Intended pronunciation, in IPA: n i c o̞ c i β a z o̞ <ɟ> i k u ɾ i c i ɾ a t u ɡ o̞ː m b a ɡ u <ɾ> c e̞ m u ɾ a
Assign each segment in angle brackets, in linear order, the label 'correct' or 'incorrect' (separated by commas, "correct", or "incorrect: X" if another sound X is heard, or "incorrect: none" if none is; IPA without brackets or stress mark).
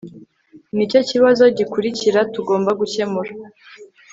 correct, incorrect: none